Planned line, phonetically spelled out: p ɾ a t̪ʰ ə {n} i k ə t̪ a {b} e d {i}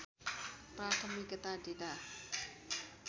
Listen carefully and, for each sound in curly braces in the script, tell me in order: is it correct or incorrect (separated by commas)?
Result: incorrect, incorrect, incorrect